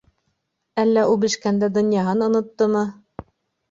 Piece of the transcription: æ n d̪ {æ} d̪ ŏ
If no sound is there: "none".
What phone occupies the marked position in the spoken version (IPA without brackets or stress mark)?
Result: æ